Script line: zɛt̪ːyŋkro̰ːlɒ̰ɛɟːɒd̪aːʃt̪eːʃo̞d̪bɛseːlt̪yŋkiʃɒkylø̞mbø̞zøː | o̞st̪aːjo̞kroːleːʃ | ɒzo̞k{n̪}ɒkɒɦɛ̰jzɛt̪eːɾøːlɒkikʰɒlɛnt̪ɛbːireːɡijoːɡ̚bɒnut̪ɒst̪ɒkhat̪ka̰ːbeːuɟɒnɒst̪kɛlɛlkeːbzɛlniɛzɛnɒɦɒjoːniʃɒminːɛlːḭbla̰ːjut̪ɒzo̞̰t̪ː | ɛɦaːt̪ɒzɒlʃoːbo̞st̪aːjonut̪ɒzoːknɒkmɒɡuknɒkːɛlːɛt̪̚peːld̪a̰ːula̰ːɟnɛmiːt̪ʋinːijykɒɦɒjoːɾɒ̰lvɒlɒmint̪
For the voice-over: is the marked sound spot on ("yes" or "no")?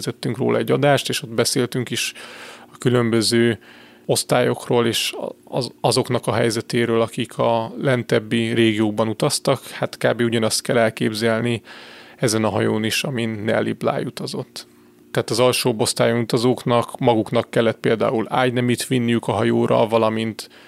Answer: yes